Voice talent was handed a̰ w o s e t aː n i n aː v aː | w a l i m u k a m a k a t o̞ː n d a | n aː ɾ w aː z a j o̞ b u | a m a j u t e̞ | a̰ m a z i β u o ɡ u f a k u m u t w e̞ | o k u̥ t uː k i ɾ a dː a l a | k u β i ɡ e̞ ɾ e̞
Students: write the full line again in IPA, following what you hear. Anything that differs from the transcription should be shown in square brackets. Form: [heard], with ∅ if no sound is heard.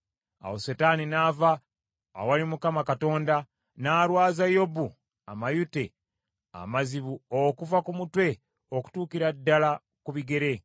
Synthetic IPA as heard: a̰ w o s e t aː n i n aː v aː | w a l i m u k a m a k a t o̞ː n d a | n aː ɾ w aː z a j o̞ b u | a m a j u t e̞ | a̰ m a z i β u o [k] u [v] a k u m u t w e̞ | o k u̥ t uː k i ɾ a dː a l a | k u β i ɡ e̞ ɾ e̞